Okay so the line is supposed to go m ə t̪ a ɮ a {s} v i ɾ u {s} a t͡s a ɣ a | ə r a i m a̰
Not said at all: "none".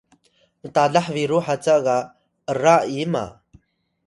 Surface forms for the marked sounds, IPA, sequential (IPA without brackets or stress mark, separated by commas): ħ, ħ